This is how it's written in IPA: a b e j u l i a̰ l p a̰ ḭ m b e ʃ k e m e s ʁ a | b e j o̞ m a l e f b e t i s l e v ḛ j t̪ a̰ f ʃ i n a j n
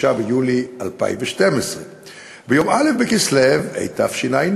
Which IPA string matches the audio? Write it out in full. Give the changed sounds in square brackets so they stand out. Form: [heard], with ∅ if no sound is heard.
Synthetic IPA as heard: a b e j u l i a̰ l p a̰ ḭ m [v] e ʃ [t] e m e s ʁ [e] | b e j o̞ m a l e f b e [k] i s l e v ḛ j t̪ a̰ f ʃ i n a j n